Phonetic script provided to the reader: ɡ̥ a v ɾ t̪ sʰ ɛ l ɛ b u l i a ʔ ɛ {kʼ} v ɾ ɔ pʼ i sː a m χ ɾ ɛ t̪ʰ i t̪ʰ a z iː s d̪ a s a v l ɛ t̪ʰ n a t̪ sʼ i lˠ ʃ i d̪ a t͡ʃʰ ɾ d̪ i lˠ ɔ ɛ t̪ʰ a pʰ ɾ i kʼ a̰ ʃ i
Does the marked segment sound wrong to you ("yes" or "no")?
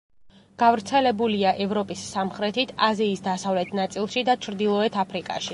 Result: yes